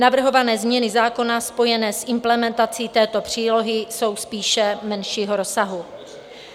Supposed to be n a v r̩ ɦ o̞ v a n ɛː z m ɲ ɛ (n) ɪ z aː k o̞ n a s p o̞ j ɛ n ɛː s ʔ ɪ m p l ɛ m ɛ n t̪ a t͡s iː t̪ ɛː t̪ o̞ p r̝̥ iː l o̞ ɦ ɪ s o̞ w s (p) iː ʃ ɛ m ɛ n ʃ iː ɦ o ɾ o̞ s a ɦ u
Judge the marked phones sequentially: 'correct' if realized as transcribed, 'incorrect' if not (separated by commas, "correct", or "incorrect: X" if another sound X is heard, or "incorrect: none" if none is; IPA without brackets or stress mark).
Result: correct, correct